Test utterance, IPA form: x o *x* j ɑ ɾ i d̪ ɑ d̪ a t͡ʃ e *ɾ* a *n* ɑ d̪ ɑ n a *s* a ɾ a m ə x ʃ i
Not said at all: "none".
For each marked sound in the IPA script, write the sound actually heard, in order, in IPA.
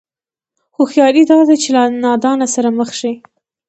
x, l, n, s

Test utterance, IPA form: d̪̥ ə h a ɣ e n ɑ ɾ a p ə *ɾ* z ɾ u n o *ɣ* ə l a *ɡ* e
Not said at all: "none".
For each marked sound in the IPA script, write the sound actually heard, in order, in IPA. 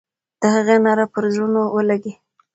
ɾ, w, ɡ

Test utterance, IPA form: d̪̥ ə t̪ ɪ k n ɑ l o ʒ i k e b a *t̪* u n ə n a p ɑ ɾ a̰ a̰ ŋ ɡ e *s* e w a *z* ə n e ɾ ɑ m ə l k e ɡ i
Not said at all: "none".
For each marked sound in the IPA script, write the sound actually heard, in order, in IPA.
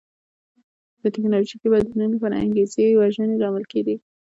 d̪, z, ʒ

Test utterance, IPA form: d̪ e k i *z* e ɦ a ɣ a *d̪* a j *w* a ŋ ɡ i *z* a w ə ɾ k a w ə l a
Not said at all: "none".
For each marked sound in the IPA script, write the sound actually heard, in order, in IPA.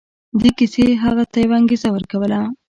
s, t̪, w, z

